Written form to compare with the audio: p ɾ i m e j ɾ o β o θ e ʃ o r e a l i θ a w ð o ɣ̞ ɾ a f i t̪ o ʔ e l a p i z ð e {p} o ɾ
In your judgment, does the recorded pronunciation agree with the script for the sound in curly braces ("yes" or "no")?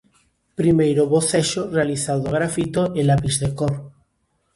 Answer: no